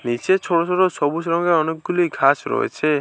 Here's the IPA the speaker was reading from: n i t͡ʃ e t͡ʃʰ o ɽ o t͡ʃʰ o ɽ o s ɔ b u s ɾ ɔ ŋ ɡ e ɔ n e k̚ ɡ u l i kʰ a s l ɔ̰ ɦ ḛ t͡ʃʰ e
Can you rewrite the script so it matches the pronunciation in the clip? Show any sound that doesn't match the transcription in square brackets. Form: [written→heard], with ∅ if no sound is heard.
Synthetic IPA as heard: n i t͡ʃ e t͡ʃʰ o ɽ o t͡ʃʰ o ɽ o s ɔ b u s ɾ ɔ ŋ ɡ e ɔ n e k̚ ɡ u l i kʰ a s [l→ɾ] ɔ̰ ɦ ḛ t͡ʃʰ e